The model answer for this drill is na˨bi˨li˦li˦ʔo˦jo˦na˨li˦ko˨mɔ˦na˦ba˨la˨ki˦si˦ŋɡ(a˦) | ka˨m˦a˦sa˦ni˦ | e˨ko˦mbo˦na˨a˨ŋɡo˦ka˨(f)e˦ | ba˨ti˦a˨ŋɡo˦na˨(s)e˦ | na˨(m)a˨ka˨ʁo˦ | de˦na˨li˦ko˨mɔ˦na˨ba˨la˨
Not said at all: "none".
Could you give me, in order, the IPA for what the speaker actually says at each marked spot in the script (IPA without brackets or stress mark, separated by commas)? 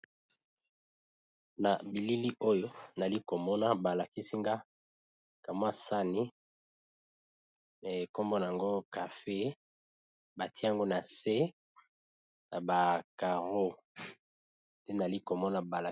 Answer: a˦, f, s, b